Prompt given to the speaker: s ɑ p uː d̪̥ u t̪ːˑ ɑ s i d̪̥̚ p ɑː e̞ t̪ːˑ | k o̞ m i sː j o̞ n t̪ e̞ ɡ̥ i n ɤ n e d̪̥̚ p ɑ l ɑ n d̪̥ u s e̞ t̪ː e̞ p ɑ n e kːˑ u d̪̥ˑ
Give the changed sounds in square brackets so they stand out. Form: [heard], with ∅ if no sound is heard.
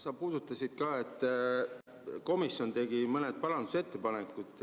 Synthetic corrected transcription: s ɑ p uː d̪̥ u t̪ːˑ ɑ s i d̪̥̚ [k] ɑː e̞ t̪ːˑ | k o̞ m i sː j o̞ n t̪ e̞ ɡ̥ i [m] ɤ n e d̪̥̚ p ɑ l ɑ n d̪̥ u s e̞ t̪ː e̞ p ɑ n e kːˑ u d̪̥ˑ